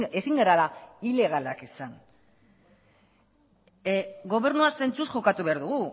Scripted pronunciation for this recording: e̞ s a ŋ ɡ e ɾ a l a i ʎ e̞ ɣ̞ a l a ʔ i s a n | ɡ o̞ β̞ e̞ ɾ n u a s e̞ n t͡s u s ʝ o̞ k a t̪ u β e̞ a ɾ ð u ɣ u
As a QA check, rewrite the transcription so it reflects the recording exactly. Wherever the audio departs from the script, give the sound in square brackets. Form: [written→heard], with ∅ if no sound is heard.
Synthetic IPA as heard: e̞ s [a→i] ŋ ɡ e ɾ a l a i [ʎ→l] e̞ ɣ̞ a l a [ʔ→k] i s a n | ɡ o̞ β̞ e̞ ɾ n u a s e̞ n t͡s u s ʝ o̞ k a t̪ u β e̞ a ɾ ð u ɣ u